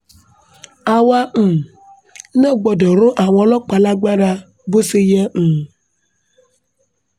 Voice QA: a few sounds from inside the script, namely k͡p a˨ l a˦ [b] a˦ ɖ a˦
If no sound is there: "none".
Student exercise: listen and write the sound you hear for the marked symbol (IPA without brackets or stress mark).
ɡ͡b